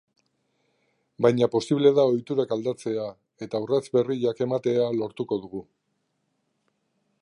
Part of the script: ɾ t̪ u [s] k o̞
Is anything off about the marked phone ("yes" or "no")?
yes